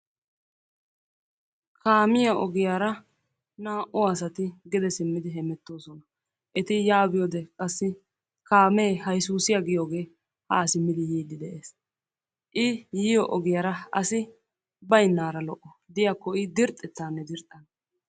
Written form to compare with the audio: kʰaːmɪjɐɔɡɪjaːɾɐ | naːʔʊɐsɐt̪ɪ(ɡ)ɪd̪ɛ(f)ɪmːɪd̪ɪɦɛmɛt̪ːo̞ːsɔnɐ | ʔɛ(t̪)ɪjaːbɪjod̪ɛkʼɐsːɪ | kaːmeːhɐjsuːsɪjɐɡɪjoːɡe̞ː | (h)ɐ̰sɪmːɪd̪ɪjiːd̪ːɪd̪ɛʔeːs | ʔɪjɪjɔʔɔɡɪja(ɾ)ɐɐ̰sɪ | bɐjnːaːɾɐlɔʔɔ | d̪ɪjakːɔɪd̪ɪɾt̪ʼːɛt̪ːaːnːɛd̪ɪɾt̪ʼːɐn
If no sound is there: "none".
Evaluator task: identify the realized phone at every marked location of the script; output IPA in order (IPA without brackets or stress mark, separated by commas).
ɡ, s, t̪, h, ɾ